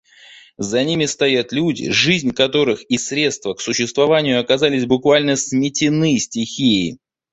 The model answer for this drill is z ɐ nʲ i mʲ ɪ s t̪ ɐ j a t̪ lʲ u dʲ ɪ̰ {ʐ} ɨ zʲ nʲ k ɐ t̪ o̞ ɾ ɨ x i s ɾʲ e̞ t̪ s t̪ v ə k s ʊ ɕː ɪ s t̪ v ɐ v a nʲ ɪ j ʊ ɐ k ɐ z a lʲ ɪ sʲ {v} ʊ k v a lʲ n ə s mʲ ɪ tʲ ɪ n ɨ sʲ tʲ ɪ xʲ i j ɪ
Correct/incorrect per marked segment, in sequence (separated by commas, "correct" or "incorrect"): correct, incorrect